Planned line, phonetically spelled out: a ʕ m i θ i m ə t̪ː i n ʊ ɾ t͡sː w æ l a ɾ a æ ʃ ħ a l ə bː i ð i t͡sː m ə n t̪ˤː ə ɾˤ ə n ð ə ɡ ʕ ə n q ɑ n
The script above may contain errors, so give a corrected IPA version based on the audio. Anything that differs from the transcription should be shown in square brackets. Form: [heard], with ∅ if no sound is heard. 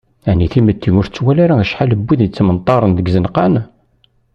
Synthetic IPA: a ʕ [n] i θ i m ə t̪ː i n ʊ ɾ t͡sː w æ l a ɾ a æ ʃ ħ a l ə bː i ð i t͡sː m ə n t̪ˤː [ɑ] ɾˤ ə n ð ə ɡ [z] ə n q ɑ n